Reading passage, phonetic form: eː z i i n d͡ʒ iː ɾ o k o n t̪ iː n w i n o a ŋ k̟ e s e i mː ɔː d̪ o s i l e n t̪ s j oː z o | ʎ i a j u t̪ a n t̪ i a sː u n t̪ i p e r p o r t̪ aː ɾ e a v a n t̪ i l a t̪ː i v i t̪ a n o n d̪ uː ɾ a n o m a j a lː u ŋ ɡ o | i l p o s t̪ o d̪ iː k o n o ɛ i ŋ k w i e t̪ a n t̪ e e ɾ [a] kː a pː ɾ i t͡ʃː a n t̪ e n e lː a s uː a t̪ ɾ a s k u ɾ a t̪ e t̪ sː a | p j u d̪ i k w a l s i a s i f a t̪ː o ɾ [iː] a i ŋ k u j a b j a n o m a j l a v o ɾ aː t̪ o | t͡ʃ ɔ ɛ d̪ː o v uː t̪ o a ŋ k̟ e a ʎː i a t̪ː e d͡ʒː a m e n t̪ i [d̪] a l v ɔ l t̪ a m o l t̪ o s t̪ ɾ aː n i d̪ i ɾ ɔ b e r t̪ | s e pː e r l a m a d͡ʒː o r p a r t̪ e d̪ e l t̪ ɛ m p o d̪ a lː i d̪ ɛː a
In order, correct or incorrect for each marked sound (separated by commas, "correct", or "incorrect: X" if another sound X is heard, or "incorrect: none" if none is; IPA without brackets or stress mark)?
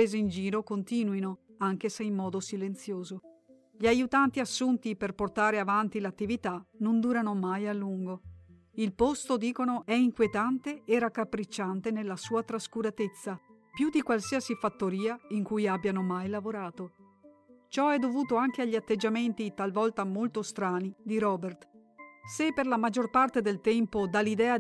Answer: correct, correct, incorrect: t̪